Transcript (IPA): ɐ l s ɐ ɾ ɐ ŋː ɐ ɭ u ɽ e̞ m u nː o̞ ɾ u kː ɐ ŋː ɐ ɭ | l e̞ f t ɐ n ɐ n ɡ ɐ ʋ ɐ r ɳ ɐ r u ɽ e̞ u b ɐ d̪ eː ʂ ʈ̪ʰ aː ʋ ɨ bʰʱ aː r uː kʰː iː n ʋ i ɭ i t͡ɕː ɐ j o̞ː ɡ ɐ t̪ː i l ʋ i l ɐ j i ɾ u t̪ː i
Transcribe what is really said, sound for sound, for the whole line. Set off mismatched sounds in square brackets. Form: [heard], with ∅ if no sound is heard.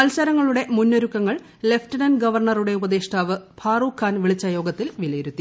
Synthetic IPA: ɐ l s ɐ ɾ ɐ ŋː ɐ ɭ u ɽ e̞ m u nː o̞ ɾ u kː ɐ ŋː ɐ ɭ | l e̞ f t ɐ n ɐ n ɡ ɐ ʋ ɐ r ɳ ɐ r u ɽ e̞ u b ɐ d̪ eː ʂ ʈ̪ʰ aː ʋ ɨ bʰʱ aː r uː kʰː [aː] n ʋ i ɭ i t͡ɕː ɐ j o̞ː ɡ ɐ t̪ː i l ʋ i l ɐ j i ɾ u t̪ː i